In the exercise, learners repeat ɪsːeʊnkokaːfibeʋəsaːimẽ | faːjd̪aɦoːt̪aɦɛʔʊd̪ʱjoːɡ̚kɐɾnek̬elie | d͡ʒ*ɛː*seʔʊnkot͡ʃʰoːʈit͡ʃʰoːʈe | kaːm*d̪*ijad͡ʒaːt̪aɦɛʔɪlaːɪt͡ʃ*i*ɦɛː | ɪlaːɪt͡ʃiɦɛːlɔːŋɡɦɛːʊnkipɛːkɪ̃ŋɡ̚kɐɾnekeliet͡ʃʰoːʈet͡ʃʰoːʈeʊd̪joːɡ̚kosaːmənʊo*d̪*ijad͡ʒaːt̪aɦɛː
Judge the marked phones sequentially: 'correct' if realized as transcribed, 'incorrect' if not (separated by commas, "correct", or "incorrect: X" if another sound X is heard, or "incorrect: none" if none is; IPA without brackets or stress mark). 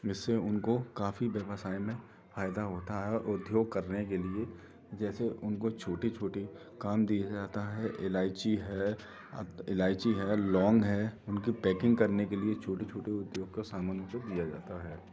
correct, correct, correct, correct